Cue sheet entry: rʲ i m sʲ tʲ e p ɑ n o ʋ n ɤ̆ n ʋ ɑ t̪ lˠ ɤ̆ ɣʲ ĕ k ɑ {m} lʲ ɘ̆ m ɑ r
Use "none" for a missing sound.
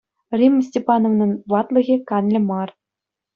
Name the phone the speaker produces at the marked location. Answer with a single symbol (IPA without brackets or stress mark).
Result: n